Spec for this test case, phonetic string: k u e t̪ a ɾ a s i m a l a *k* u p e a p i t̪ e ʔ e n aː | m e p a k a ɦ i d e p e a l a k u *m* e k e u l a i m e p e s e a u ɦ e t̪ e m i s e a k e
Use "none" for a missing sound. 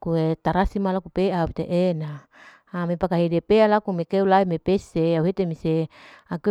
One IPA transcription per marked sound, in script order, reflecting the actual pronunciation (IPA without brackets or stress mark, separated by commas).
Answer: k, m